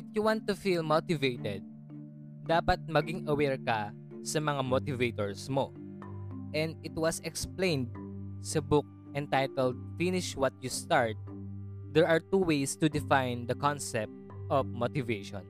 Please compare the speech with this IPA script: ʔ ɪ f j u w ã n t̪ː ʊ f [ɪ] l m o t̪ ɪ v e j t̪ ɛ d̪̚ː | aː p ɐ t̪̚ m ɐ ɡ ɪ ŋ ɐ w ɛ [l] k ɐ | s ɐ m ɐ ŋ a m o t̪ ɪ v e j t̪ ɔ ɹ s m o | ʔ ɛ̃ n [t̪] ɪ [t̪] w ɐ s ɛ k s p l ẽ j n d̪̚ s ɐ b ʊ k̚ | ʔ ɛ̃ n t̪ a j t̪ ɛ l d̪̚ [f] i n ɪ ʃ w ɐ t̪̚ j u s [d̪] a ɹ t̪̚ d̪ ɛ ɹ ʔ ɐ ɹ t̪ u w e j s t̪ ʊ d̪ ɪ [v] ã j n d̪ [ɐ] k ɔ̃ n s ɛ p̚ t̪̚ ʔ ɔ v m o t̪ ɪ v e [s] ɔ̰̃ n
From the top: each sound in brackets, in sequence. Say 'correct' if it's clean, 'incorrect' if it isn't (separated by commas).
incorrect, incorrect, incorrect, correct, correct, incorrect, incorrect, correct, incorrect